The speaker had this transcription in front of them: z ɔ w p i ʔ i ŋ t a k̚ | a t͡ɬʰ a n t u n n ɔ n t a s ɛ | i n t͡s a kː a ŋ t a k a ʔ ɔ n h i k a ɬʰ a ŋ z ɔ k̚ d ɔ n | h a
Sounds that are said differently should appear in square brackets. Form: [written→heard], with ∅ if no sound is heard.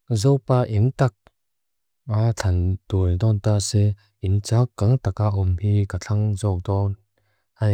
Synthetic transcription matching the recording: z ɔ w p [i→a] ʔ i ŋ t a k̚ | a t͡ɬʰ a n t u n [n→d] ɔ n t a s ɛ | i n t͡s a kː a ŋ t a k a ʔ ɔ [n→m] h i k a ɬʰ a ŋ z ɔ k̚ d ɔ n | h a